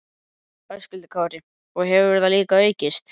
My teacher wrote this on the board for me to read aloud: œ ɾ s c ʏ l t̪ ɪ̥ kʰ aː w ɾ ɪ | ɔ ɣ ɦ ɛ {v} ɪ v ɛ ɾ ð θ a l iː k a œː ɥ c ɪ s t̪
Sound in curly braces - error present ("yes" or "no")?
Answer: no